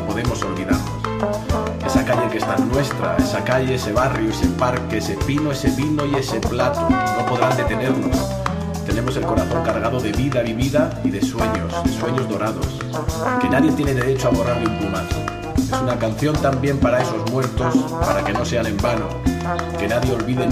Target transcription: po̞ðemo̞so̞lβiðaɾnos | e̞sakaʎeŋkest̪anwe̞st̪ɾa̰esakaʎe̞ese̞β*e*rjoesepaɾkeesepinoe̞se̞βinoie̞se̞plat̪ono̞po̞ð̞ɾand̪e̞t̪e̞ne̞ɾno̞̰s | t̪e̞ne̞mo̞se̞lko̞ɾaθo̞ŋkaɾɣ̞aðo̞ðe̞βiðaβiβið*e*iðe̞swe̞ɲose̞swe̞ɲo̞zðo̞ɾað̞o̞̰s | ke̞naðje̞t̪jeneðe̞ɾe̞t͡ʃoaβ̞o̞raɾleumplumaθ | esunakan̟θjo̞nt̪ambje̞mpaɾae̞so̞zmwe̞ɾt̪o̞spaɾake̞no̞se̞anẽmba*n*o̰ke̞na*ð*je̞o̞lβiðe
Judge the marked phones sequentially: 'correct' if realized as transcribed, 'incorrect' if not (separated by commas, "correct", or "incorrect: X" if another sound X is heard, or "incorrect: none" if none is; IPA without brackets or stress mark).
incorrect: a, incorrect: a, correct, correct